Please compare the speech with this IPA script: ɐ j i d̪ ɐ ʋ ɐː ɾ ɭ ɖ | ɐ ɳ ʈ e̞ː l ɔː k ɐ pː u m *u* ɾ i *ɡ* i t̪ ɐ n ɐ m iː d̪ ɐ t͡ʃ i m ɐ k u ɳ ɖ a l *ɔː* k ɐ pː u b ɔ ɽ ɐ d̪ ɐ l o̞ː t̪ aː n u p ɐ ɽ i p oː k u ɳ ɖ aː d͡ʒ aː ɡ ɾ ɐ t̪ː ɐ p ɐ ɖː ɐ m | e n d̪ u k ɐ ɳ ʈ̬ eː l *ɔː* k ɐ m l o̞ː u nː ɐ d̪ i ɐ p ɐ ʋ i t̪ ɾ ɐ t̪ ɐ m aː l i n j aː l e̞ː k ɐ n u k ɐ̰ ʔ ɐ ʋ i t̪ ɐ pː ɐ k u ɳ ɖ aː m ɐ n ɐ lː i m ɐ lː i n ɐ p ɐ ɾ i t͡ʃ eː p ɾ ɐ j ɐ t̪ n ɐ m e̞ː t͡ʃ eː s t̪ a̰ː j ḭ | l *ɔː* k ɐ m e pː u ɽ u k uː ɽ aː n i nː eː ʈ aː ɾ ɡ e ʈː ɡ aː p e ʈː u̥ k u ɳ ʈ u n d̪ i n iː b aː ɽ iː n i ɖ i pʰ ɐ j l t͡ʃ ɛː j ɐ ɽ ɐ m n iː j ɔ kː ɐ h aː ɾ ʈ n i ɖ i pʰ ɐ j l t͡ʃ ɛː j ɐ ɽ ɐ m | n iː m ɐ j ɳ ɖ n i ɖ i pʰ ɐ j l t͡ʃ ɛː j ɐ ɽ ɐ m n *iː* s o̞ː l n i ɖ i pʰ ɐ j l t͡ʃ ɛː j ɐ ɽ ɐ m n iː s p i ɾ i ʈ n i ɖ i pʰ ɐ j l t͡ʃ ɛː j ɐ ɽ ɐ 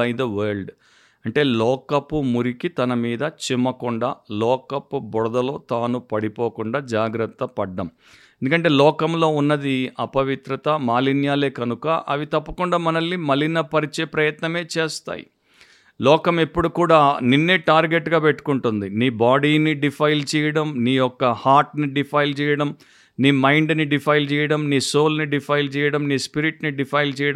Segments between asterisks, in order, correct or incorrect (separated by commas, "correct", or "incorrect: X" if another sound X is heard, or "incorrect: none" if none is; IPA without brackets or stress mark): correct, incorrect: k, correct, correct, correct, correct